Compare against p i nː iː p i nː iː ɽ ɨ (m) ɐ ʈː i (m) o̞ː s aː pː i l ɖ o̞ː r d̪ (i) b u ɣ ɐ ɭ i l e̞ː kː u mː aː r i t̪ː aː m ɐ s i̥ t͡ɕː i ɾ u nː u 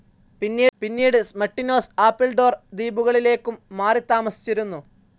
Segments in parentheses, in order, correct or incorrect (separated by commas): correct, incorrect, incorrect